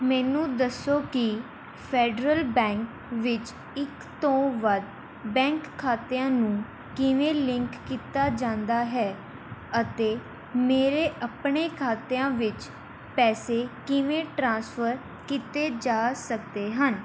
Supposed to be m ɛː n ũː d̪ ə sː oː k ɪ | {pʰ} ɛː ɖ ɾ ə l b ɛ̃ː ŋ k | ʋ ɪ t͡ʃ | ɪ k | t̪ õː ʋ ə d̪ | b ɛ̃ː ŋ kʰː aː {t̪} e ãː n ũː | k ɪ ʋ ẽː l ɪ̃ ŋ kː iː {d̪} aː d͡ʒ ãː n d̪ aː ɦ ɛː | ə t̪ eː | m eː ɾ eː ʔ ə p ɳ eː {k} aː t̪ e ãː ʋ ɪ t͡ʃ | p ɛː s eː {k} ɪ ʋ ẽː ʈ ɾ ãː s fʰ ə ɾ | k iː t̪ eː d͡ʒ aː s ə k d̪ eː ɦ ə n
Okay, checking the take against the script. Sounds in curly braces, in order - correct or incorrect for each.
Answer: correct, correct, incorrect: t̪, incorrect: kʰ, correct

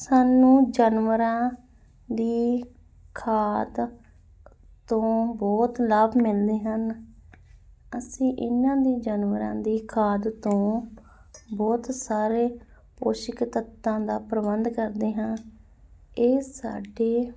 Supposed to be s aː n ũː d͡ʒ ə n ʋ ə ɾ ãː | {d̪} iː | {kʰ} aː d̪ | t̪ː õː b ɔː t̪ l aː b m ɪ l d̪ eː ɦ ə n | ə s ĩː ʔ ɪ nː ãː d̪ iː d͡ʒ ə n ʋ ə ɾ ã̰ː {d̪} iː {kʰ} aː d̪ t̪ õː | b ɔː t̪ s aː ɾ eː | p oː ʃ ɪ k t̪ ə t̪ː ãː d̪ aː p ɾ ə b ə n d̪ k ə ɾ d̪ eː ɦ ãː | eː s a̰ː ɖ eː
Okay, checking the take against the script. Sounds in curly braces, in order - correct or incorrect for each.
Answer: correct, correct, correct, correct

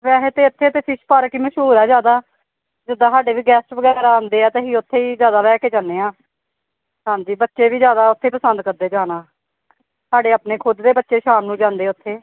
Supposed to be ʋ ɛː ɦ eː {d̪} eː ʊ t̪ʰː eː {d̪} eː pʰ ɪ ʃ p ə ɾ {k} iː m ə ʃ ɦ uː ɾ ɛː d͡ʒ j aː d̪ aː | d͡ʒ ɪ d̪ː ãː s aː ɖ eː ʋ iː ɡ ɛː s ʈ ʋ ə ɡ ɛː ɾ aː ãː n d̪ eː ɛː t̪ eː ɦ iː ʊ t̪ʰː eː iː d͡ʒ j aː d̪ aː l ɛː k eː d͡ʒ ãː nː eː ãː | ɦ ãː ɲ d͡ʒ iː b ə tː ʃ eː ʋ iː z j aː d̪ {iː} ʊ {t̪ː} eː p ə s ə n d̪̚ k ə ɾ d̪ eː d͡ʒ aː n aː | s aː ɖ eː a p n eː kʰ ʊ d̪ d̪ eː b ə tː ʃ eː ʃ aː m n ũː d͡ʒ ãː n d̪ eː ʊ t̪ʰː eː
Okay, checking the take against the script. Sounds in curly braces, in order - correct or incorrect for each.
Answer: incorrect: t̪, incorrect: t̪, correct, incorrect: aː, incorrect: t̪ʰː

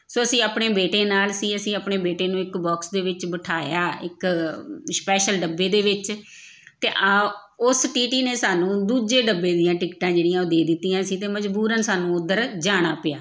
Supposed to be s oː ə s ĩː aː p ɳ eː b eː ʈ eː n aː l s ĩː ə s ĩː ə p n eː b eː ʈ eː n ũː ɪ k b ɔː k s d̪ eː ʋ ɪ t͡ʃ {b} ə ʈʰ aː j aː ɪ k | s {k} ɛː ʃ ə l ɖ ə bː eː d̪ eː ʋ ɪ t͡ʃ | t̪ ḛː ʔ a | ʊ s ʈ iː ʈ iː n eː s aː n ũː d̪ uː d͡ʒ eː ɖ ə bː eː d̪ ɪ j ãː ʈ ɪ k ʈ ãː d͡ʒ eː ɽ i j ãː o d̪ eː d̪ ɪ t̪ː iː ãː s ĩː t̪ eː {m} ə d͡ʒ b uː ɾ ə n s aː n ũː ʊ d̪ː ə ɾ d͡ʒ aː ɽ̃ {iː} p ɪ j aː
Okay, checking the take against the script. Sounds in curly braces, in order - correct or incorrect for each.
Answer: correct, incorrect: p, correct, incorrect: aː

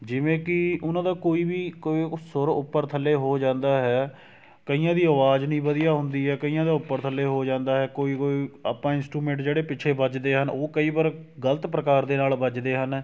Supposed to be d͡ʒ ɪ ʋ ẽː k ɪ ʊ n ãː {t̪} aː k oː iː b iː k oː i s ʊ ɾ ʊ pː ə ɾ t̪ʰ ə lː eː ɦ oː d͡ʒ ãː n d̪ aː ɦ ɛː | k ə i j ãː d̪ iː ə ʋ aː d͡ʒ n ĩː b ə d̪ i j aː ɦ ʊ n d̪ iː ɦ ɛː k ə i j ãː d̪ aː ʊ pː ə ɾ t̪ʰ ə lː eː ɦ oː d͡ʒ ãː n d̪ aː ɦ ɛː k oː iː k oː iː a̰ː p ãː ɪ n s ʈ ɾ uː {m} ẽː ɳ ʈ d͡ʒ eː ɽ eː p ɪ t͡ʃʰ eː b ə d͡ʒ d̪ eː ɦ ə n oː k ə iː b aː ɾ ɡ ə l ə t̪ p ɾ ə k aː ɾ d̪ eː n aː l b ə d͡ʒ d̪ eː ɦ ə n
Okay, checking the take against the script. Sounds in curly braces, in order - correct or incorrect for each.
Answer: incorrect: d̪, correct

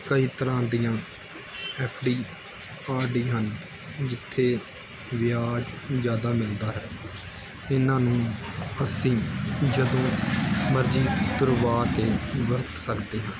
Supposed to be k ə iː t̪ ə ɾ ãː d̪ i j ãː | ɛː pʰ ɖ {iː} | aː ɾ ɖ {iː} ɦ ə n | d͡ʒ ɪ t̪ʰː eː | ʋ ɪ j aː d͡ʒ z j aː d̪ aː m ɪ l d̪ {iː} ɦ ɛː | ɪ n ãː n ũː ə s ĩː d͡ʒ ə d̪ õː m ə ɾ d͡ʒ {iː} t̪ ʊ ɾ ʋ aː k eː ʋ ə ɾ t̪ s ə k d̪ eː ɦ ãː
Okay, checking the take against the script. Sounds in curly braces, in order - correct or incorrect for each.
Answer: correct, correct, incorrect: aː, correct

